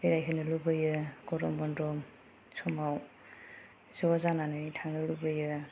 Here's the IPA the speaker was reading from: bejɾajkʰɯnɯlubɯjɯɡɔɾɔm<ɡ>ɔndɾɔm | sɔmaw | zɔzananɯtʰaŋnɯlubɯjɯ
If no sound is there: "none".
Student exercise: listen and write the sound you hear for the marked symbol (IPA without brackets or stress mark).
b